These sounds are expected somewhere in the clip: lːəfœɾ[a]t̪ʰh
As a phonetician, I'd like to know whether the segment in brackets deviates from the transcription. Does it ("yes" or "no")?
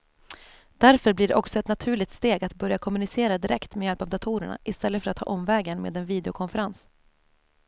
no